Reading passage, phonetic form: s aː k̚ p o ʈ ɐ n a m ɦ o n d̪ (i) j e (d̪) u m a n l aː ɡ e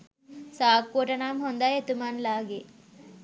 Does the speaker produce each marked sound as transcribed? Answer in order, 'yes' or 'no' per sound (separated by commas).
no, no